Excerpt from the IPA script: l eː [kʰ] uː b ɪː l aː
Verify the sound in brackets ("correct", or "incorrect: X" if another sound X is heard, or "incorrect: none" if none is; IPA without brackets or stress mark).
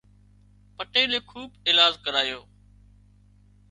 correct